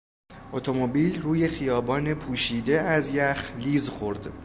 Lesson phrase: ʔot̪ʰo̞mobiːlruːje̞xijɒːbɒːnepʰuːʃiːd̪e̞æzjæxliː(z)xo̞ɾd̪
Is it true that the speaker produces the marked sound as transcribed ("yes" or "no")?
yes